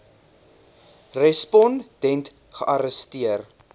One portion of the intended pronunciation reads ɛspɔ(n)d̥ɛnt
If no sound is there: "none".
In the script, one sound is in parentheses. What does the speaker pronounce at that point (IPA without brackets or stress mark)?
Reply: n